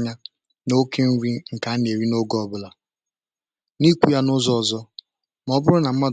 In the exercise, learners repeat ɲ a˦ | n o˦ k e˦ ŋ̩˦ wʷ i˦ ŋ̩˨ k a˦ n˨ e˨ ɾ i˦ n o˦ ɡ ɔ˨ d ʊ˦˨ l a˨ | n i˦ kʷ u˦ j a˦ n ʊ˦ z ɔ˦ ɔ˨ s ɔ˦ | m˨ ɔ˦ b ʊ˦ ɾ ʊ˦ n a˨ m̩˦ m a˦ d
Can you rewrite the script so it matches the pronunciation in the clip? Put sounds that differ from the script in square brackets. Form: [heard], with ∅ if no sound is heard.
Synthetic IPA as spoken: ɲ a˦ | n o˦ k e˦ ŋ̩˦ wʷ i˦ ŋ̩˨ k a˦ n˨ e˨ ɾ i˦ n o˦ ɡ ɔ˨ [b] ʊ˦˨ l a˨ | n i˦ kʷ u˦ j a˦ n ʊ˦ z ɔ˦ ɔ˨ [z] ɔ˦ | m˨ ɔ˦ b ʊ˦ ɾ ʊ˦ n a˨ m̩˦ m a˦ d